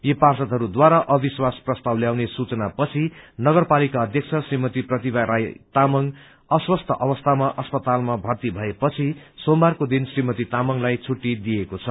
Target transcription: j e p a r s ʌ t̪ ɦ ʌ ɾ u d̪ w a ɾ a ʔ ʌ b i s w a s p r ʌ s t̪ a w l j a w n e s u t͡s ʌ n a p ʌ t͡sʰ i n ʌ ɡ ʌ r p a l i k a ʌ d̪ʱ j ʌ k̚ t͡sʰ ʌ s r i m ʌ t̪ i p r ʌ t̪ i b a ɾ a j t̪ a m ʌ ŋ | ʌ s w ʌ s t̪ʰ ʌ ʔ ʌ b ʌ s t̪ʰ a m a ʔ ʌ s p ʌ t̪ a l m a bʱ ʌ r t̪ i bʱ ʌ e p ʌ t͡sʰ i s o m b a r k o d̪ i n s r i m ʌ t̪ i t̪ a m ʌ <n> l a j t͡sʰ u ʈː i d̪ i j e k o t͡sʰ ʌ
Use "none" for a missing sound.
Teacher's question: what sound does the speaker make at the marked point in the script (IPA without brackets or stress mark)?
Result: ŋ